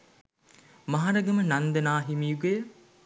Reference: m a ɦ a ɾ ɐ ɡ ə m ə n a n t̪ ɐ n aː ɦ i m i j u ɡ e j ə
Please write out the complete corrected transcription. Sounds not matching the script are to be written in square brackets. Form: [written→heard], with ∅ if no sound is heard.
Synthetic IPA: m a ɦ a ɾ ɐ ɡ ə m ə n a n [t̪→d̪] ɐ n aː ɦ i m i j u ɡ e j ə